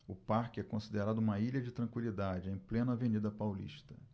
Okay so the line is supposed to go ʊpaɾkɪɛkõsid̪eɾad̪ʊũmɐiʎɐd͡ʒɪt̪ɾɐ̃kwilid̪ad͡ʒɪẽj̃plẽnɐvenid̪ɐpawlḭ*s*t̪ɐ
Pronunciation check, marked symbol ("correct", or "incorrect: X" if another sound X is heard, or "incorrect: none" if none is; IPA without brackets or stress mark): incorrect: ʃ